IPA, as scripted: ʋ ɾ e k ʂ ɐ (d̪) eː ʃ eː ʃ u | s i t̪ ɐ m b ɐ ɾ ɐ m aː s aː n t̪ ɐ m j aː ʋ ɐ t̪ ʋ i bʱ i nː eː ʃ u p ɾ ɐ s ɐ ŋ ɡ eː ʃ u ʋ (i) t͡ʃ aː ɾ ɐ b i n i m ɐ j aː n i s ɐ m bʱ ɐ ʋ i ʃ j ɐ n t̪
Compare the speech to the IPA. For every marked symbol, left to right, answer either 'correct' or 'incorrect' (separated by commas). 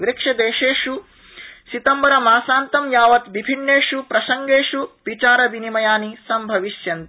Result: correct, correct